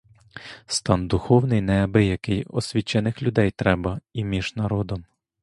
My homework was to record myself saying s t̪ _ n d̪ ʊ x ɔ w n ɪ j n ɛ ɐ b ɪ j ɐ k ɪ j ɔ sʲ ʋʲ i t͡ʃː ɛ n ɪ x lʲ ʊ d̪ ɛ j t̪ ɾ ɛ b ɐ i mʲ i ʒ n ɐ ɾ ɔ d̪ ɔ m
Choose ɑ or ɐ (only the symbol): ɑ